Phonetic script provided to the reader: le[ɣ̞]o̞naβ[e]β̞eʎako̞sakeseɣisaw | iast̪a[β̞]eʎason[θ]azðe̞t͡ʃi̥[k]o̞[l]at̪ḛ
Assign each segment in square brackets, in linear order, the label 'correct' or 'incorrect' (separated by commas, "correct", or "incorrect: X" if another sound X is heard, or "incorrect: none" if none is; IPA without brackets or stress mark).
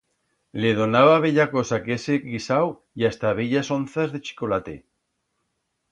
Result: incorrect: ð̞, incorrect: a, correct, correct, correct, correct